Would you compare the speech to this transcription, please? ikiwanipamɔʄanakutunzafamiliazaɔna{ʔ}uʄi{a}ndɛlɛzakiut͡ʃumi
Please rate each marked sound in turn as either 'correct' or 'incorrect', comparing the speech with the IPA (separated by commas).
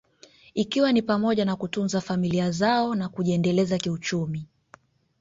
incorrect, incorrect